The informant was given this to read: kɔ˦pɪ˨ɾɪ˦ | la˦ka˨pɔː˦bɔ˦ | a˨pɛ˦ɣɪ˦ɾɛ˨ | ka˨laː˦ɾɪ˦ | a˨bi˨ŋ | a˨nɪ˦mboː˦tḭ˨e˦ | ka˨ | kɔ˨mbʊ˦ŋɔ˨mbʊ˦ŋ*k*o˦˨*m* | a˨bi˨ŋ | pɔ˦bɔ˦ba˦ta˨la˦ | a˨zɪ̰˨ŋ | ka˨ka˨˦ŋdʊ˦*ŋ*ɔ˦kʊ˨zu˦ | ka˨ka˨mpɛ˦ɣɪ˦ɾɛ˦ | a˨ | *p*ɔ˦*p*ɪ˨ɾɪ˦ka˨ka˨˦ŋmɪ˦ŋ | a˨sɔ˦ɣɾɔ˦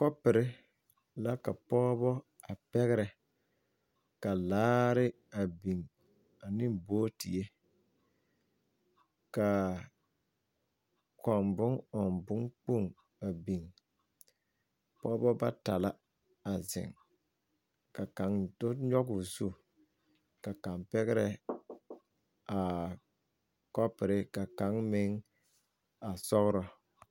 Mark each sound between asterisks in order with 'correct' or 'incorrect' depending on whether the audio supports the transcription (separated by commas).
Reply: incorrect, incorrect, incorrect, incorrect, correct